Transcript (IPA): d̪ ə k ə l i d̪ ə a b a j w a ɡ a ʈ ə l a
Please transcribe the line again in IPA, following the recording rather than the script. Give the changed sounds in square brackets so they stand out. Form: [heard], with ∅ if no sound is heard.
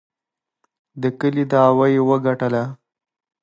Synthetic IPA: d̪ ə k ə l i d̪ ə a [w] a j w [ə] ɡ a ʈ ə l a